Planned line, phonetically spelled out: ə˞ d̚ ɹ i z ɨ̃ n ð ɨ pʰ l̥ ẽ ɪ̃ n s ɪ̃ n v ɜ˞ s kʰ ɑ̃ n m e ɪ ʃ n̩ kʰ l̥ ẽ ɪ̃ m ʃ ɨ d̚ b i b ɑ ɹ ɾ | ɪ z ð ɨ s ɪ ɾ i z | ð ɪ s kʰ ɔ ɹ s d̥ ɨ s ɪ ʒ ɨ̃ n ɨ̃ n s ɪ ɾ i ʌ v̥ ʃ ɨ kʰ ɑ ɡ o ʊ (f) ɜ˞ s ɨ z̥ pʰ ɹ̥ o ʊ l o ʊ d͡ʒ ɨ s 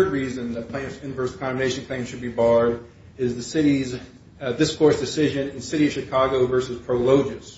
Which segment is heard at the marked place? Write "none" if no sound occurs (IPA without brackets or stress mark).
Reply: v